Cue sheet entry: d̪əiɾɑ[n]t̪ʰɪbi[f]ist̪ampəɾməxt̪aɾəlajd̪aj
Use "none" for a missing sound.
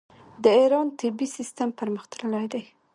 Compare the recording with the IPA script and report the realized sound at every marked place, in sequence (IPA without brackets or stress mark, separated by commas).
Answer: n, s